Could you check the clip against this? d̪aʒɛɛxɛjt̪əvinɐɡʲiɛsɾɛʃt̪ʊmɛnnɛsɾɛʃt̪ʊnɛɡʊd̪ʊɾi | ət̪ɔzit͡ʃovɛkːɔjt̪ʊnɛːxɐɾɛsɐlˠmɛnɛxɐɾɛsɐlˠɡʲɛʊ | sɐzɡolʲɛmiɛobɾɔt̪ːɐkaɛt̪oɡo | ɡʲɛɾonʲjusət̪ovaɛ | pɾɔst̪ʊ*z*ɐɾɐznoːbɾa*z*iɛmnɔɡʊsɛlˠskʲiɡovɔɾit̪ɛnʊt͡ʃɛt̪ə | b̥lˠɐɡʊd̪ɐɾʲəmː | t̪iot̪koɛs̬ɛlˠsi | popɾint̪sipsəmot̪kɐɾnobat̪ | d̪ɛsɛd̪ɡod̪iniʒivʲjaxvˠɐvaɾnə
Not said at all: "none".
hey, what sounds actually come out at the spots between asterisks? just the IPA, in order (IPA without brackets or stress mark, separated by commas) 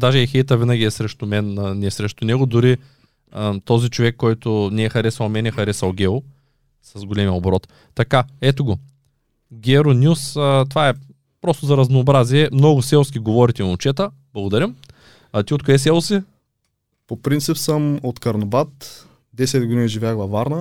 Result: z, z